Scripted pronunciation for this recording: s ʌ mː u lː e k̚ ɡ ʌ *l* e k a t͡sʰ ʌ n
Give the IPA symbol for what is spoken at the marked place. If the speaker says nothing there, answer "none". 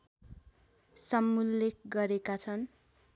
ɾ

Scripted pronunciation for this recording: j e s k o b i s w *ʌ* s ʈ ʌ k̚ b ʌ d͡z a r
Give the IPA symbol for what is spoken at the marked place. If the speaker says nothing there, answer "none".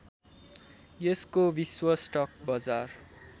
ʌ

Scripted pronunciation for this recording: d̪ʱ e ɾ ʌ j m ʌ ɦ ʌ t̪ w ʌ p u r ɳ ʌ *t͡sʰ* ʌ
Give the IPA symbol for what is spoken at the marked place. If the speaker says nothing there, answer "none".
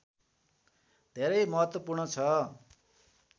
t͡sʰ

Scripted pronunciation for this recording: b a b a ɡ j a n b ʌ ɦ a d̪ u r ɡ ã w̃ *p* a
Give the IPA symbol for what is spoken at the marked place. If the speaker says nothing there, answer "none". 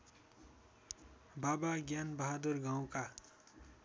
k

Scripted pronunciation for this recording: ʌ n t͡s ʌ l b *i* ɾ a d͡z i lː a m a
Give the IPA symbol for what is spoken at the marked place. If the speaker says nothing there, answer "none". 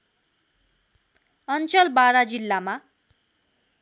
a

